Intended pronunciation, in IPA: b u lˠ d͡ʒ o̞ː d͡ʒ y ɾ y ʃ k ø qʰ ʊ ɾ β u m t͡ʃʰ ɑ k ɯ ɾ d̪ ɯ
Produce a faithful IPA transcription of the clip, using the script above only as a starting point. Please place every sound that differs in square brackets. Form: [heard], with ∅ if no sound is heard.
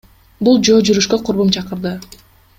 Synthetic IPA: b u lˠ d͡ʒ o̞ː d͡ʒ y ɾ y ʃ k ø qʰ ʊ ɾ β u m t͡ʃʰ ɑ [q] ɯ ɾ d̪ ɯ